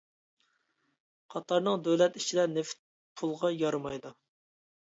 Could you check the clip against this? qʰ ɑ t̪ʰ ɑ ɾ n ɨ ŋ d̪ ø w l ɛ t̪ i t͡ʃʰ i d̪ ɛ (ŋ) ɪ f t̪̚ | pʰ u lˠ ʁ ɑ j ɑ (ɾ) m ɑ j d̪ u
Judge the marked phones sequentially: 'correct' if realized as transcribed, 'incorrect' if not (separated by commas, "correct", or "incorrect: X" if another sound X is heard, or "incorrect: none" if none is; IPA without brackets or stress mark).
incorrect: n, correct